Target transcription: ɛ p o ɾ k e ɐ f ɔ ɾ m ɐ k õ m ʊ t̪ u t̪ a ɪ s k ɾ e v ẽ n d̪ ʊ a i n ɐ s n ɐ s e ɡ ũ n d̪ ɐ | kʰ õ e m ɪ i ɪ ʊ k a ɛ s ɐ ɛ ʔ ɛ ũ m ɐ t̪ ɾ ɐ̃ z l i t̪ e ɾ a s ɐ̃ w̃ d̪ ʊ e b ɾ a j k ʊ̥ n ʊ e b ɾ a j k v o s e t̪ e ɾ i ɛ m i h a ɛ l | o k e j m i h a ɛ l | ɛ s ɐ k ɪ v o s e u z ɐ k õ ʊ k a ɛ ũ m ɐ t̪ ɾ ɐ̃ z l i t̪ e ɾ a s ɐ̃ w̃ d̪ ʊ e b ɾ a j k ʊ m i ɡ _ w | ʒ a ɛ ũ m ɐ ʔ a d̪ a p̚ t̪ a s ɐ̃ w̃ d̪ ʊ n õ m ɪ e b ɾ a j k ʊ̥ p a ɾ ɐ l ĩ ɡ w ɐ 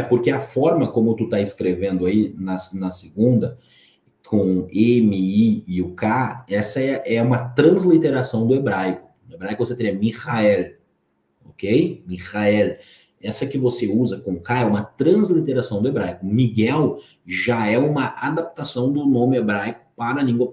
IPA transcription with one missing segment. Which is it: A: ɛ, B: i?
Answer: A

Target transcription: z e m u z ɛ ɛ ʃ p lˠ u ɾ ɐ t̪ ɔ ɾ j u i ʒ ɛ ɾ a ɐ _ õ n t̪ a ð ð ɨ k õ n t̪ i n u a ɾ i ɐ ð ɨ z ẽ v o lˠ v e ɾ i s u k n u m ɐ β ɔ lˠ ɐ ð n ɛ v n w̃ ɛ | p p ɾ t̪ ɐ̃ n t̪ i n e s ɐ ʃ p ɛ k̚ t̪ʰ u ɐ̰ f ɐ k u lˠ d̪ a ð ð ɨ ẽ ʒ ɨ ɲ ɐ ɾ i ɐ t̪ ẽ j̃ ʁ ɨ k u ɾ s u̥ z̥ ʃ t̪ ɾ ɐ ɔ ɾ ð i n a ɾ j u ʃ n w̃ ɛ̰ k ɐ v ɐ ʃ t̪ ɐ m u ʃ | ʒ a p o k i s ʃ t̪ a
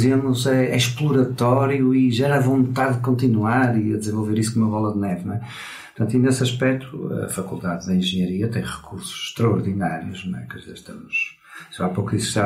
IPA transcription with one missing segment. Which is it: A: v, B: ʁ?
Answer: A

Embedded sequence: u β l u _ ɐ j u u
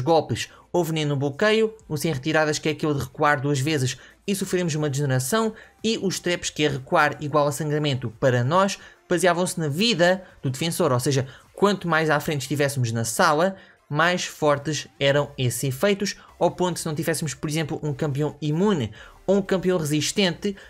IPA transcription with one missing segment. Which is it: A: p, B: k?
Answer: B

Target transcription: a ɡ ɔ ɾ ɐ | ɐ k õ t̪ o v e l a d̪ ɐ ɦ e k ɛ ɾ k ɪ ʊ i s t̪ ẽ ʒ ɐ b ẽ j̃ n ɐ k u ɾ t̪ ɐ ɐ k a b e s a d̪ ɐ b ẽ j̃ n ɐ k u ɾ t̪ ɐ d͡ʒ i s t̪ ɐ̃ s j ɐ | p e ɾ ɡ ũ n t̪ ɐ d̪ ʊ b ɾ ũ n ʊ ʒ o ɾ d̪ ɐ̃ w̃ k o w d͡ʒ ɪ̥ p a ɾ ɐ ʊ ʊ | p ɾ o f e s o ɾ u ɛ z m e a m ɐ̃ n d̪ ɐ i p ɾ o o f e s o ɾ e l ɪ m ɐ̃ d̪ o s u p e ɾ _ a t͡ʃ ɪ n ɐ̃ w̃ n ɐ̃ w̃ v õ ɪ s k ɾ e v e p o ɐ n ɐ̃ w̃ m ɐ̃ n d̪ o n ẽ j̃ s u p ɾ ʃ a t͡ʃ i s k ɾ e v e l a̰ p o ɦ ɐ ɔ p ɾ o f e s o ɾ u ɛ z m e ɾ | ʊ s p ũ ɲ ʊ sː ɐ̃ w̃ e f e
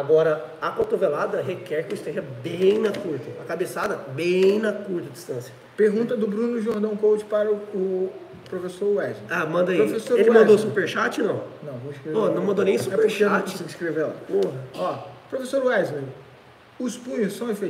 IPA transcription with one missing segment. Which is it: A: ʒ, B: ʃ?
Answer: B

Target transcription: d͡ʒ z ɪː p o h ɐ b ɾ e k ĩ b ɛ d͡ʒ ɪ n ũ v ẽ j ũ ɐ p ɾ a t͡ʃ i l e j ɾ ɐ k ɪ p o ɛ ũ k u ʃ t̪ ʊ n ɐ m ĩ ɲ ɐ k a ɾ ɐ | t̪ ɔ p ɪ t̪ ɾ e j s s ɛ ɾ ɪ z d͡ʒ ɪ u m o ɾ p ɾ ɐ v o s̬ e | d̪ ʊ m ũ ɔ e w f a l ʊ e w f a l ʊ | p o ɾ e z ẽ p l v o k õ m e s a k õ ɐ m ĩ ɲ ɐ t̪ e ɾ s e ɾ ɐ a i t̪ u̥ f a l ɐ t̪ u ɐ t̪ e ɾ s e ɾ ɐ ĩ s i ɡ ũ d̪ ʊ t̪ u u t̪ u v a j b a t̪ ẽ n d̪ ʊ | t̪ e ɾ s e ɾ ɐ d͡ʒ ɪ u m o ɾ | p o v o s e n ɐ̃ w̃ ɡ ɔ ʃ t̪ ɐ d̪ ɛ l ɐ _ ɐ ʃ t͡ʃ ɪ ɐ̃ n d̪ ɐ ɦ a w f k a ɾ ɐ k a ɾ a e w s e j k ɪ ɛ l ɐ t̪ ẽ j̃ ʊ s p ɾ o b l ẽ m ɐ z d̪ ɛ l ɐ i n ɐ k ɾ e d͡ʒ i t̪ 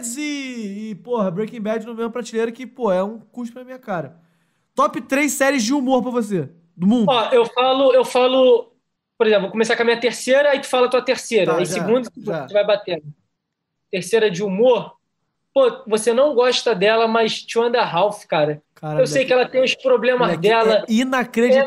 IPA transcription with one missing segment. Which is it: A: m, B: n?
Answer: A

